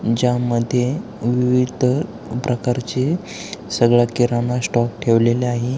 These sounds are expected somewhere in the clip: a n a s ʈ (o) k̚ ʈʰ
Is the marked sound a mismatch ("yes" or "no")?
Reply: yes